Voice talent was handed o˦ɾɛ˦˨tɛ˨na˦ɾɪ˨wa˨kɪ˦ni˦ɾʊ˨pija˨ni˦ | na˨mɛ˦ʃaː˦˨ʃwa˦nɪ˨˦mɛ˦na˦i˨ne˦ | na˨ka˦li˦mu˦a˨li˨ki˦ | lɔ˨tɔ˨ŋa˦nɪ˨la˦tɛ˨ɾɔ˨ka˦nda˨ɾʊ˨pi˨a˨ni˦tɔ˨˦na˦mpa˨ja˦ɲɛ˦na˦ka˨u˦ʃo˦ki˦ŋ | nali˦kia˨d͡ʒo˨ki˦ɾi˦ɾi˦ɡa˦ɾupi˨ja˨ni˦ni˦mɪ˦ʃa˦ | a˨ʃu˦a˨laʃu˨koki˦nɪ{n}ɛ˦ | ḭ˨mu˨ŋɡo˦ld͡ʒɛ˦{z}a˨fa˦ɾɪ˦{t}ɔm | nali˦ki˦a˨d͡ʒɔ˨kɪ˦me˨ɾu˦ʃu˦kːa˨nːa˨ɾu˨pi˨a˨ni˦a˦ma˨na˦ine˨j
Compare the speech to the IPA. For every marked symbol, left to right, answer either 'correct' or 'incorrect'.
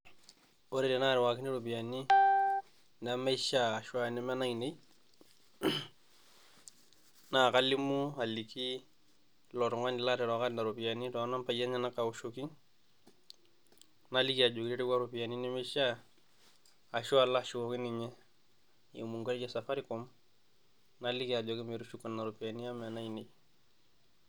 incorrect, incorrect, incorrect

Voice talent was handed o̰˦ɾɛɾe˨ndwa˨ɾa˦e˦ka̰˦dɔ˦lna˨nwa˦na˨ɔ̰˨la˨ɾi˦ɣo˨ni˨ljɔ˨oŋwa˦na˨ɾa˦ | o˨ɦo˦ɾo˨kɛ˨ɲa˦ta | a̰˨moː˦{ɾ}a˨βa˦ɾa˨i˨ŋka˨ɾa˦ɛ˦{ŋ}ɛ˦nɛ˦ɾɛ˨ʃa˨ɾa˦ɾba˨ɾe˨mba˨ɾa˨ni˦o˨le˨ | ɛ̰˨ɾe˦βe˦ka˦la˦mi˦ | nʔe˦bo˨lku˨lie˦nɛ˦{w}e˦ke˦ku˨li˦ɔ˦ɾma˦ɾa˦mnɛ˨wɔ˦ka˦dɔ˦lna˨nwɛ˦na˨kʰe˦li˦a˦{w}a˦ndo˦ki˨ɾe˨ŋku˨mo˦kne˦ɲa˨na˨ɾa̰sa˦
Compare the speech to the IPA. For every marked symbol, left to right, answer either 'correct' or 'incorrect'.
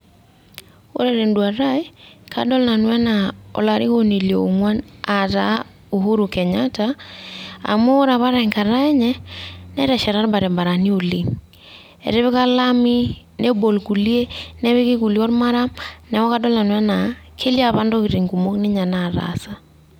correct, incorrect, incorrect, incorrect

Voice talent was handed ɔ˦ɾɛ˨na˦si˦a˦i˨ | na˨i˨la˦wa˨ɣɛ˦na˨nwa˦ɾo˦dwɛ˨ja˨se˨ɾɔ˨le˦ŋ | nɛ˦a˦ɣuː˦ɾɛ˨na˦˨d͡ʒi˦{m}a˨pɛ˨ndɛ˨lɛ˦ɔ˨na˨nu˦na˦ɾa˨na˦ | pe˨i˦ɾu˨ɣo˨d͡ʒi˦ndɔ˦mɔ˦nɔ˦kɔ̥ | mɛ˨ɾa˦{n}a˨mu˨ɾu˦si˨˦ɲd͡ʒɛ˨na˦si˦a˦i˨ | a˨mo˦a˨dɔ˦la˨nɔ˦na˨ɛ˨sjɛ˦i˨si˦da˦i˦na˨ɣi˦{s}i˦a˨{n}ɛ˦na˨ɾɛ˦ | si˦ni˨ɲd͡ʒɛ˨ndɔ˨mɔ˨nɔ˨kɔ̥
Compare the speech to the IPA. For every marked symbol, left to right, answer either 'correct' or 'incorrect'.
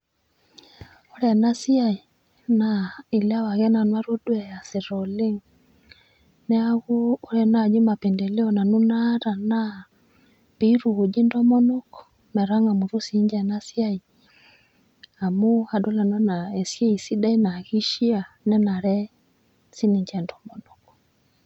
correct, incorrect, incorrect, correct

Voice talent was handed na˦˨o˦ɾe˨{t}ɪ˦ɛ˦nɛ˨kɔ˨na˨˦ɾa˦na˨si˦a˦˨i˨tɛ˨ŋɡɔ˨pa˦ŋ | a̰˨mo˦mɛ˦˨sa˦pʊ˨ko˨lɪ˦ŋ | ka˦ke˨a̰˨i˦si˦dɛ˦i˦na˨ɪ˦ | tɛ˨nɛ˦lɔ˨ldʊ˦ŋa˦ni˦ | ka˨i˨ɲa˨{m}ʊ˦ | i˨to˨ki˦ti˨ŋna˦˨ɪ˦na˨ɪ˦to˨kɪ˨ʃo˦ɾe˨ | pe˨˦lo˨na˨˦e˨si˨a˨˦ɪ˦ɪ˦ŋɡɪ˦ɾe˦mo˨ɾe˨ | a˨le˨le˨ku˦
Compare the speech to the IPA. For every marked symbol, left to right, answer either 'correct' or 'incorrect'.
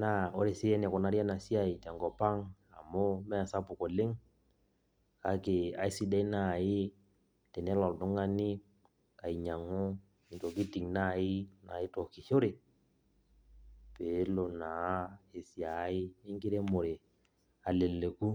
incorrect, incorrect

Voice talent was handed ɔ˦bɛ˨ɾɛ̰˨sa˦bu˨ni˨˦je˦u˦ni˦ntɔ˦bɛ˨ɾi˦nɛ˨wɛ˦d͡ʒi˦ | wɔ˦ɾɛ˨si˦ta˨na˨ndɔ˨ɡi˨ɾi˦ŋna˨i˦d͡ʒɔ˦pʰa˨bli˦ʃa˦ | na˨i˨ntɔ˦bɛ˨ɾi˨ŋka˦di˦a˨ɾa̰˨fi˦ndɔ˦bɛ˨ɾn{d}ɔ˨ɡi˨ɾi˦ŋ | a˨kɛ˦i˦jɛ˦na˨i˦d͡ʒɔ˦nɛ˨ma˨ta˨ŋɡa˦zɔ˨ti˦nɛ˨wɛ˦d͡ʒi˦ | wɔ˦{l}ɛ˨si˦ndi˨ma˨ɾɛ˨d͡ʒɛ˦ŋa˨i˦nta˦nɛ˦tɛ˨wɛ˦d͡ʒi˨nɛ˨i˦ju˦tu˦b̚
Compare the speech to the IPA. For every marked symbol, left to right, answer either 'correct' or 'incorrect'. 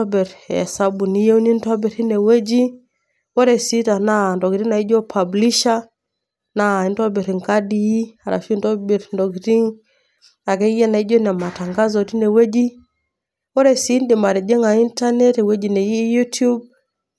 correct, incorrect

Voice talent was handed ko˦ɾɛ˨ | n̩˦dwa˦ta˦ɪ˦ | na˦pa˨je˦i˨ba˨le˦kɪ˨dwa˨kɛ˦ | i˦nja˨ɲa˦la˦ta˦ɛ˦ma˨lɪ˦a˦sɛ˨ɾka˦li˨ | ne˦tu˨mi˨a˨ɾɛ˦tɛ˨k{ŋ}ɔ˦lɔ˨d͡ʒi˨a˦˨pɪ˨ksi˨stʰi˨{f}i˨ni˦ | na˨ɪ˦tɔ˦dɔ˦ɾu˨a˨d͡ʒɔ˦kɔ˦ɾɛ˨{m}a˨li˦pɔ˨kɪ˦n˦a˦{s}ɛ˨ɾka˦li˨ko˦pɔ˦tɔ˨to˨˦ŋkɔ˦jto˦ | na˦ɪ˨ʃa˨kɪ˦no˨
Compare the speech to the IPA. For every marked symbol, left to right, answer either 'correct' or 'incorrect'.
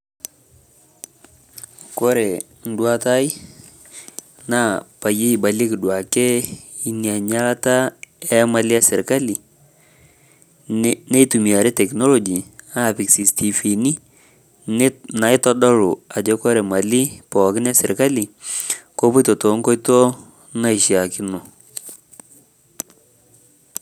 incorrect, correct, correct, correct

